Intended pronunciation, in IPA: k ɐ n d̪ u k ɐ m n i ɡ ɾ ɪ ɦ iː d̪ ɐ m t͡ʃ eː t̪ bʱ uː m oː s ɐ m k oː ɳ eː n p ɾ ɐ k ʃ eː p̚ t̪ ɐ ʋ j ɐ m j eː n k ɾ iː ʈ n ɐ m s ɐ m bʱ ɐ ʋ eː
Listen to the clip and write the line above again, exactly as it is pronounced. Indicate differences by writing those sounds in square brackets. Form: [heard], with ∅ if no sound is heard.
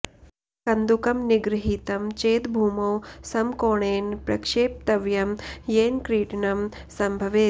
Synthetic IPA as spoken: k ɐ n d̪ u k ɐ m n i ɡ ɾ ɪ ɦ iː [t̪] ɐ m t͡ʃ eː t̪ bʱ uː m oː s ɐ m k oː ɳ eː n p ɾ ɐ k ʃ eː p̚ t̪ ɐ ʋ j ɐ m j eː n k ɾ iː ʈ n ɐ m s ɐ m bʱ ɐ ʋ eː